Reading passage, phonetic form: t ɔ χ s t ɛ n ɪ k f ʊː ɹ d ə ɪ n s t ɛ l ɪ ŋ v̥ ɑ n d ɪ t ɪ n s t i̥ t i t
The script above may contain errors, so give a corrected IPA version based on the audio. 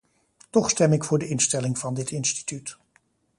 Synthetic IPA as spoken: t ɔ χ s t ɛ m ɪ k f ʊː ɹ d ə ɪ n s t ɛ l ɪ ŋ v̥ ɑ n d ɪ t ɪ n s t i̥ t y t